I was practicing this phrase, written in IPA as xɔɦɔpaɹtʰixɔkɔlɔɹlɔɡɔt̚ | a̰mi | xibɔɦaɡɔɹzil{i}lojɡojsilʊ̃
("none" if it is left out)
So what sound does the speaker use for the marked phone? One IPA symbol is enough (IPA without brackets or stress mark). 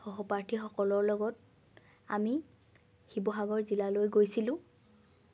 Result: a